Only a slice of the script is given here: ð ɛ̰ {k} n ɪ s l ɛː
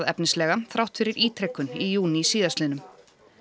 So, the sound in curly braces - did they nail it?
no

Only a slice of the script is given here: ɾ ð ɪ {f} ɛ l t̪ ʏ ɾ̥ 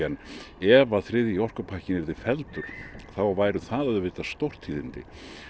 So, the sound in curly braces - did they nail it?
yes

